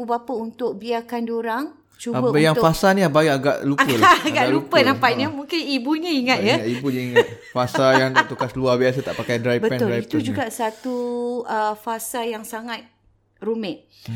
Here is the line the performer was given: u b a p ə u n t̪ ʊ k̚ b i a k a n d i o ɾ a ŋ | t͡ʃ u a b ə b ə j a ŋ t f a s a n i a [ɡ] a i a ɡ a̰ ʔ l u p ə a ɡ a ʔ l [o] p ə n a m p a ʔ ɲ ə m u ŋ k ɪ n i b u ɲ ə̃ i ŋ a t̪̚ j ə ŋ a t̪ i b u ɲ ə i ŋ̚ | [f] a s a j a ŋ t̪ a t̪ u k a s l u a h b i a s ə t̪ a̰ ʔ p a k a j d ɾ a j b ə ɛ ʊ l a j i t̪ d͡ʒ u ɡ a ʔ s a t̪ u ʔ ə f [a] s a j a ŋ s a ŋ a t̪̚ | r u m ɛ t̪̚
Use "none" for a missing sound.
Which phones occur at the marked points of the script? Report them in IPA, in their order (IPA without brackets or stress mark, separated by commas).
b, u, f, a